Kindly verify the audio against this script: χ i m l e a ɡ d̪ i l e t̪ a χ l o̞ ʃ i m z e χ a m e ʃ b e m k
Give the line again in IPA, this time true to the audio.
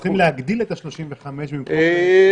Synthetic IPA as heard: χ i m l e a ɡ d̪ i l e t̪ a ʃ l o̞ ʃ i m v e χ a m e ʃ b i m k